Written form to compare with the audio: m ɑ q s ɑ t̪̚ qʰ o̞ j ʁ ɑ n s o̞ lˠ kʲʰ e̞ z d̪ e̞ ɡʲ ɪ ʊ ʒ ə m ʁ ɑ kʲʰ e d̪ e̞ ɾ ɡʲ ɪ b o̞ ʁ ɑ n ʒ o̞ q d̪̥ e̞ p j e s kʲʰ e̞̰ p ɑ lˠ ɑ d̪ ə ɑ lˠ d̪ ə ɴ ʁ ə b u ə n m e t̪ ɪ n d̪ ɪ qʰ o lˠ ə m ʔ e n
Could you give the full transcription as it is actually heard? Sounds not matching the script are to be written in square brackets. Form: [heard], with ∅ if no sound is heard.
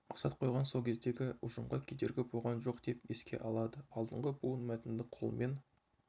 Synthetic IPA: m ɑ q s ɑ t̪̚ qʰ o̞ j ʁ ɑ n s o̞ lˠ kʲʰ e̞ z d̪ e̞ ɡʲ ɪ ʊ ʒ ə m ʁ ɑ kʲʰ e d̪ e̞ ɾ ɡʲ ɪ b o̞ ʁ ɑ n ʒ o̞ q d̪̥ e̞ p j e s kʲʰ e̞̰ [ʔ] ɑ lˠ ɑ d̪ ə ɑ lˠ d̪ ə ɴ ʁ ə b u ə n m [æ] t̪ ɪ n d̪ ɪ qʰ o lˠ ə m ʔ e n